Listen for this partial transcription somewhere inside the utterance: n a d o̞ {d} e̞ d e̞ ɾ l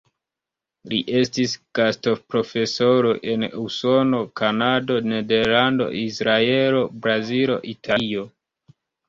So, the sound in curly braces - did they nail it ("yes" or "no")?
no